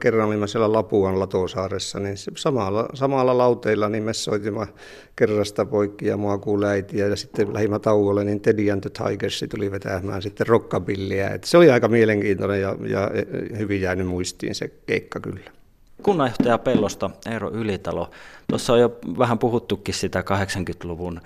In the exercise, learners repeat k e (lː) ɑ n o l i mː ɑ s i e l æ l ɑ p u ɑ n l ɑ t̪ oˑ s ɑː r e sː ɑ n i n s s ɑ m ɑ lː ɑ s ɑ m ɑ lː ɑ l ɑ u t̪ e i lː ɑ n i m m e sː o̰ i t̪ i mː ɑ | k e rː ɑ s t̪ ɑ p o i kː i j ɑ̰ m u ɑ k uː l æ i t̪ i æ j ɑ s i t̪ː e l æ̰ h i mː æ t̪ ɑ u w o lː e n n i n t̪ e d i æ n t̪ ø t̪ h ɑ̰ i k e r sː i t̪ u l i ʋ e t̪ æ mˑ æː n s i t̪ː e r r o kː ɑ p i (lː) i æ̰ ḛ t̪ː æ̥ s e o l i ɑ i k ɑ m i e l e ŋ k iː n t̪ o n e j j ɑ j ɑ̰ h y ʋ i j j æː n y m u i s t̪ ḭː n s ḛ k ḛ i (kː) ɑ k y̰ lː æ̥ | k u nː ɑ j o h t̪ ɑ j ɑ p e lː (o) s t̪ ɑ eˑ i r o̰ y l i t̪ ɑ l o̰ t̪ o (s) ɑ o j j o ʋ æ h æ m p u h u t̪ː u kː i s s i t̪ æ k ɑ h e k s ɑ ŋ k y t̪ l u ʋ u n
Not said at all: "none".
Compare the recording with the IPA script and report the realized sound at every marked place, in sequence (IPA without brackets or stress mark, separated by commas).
rː, lː, kː, o, sː